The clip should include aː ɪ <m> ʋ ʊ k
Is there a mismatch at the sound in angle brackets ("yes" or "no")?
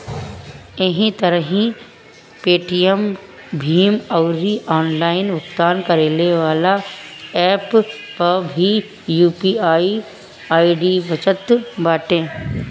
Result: yes